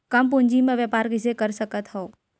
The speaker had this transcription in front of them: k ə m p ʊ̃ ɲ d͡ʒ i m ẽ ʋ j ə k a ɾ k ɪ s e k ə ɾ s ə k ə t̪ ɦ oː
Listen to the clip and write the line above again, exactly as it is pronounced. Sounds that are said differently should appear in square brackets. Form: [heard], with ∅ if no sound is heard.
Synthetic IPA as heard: k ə m p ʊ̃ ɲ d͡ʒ i m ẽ ʋ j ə [p] a ɾ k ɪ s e k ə ɾ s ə k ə t̪ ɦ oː